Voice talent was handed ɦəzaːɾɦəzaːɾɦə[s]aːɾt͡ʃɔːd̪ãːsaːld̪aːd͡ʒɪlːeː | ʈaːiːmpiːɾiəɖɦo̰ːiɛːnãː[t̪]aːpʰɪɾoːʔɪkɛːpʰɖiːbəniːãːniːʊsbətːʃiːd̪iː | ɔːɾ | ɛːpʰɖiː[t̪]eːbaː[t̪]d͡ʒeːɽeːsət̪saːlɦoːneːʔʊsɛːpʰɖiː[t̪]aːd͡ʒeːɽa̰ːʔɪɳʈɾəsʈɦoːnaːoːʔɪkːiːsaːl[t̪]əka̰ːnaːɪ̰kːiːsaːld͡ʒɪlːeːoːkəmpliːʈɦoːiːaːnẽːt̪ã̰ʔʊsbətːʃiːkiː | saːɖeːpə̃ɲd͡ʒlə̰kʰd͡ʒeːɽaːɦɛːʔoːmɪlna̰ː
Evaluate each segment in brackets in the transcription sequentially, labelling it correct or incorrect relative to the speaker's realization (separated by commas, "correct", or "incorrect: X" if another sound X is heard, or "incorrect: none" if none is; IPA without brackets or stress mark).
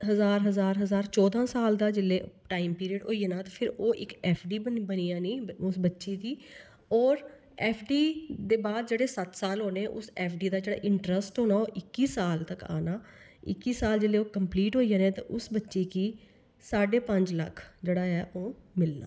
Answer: incorrect: z, correct, incorrect: d̪, incorrect: d̪, incorrect: d̪, correct